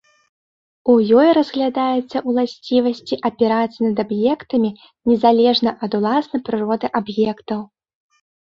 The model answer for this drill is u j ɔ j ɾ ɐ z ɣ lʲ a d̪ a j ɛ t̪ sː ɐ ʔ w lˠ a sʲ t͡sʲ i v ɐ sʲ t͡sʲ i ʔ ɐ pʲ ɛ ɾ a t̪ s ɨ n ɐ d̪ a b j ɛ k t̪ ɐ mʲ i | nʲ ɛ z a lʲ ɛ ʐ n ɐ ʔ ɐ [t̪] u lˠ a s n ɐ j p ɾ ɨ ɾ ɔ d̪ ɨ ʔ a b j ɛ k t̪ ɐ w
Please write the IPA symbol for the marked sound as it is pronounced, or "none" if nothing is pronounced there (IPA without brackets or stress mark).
d̪